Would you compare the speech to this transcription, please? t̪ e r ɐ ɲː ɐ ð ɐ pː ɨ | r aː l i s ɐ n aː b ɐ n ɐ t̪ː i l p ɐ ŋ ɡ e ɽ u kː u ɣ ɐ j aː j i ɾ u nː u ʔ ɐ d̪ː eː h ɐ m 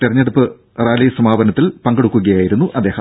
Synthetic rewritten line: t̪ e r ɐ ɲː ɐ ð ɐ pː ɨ | r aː l i s ɐ m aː b ɐ n ɐ t̪ː i l p ɐ ŋ ɡ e ɽ u kː u ɣ ɐ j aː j i ɾ u nː u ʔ ɐ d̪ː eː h ɐ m